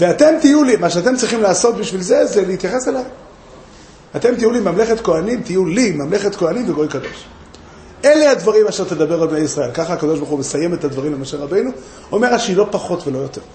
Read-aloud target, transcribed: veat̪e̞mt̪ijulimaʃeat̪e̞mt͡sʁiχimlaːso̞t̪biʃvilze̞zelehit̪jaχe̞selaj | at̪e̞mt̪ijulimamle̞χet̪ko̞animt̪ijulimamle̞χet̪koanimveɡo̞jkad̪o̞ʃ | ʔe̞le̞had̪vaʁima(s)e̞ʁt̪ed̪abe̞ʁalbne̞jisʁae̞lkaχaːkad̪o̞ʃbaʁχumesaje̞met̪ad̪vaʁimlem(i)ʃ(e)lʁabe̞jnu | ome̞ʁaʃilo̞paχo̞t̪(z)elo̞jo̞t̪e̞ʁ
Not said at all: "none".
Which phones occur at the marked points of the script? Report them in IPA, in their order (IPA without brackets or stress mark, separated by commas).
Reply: ʃ, a, e, v